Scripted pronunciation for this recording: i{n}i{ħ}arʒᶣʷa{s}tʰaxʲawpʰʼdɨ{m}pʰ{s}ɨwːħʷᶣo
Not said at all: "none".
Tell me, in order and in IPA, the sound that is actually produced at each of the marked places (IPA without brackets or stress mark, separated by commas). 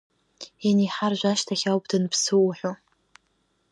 n, ħ, ʃ, n, s